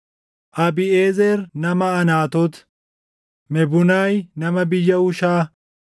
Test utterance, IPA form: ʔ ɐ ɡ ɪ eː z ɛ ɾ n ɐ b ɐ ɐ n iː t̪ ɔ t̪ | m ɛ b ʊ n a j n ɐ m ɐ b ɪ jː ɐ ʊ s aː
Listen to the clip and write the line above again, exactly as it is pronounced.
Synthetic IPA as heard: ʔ ɐ b ɪ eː z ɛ ɾ n ɐ m ɐ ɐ n aː t̪ ɔ t̪ | m ɛ b ʊ n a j n ɐ m ɐ b ɪ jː ɐ ʊ ʃ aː